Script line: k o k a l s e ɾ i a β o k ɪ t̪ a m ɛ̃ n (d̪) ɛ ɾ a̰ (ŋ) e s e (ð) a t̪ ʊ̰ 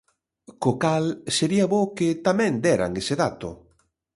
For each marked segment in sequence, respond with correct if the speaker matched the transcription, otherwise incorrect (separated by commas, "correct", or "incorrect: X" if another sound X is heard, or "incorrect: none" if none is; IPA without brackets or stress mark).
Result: correct, correct, correct